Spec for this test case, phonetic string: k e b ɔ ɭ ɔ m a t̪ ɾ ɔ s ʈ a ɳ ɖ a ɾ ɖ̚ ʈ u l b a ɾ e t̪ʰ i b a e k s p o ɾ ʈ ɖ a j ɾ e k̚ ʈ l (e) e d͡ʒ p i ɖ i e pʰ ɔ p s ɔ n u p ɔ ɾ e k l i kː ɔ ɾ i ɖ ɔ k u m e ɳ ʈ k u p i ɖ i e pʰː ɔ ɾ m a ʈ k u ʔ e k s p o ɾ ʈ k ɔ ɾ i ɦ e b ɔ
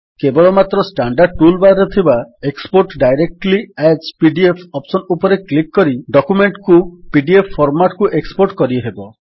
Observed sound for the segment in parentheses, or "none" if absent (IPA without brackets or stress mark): i